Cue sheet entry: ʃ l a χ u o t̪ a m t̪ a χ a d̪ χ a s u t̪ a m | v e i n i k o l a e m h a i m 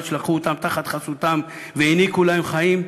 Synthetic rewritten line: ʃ l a χ u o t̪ a m t̪ a χ a t̪ χ a s u t̪ a m | v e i n i k u l a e m χ a i m